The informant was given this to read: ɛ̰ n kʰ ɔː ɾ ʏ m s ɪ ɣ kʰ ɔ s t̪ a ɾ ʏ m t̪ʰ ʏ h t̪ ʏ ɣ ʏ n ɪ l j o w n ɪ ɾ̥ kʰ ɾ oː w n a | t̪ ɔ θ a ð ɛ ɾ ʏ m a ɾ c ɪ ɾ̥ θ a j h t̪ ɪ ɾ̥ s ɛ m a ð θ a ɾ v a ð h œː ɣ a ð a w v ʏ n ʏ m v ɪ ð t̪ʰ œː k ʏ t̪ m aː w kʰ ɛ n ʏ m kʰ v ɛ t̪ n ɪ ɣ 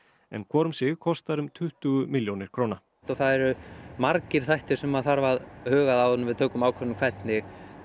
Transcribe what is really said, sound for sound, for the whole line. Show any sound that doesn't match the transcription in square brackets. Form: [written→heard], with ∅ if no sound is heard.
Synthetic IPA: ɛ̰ n kʰ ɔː ɾ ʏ m s ɪ ɣ kʰ ɔ s t̪ a ɾ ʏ m t̪ʰ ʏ h t̪ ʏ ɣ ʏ [n→m] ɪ l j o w n ɪ ɾ̥ kʰ ɾ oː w n a | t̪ ɔ θ a ð ɛ ɾ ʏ m a ɾ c ɪ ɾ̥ θ a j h t̪ ɪ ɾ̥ s ɛ m a ð θ a ɾ v a ð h œː ɣ a ð a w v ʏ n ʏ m v ɪ ð t̪ʰ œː k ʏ [t̪→∅] m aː w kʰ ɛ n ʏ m kʰ v ɛ t̪ n ɪ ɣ